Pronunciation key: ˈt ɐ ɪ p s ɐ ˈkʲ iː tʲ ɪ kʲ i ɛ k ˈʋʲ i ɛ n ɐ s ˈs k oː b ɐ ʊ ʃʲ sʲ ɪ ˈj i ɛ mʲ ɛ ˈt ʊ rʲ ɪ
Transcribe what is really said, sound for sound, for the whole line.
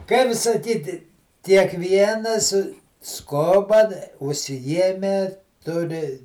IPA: ˈk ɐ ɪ p s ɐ ˈkʲ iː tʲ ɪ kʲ i ɛ k ˈʋʲ i ɛ n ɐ s ˈs k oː b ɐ ʊ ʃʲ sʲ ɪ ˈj i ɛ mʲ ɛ ˈt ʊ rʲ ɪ